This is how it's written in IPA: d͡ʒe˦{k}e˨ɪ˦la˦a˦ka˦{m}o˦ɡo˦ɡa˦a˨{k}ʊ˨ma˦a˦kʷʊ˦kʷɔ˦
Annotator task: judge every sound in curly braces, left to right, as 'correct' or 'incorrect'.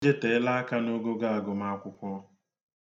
incorrect: t, incorrect: n, incorrect: ɡ

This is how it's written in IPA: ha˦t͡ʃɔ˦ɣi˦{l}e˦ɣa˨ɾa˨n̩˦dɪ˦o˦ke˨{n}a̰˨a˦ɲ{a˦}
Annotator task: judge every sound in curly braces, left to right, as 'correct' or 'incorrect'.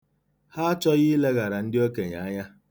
correct, incorrect: ɲ, correct

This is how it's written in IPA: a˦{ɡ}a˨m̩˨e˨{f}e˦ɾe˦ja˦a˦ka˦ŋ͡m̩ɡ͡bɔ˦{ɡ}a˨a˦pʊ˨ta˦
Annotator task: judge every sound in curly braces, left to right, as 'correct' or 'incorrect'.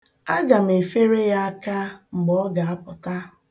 correct, correct, correct

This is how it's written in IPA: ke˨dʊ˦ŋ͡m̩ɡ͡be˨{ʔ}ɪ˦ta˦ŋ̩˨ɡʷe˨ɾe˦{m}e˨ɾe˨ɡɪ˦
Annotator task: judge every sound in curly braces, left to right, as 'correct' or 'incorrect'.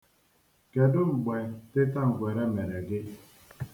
incorrect: t, correct

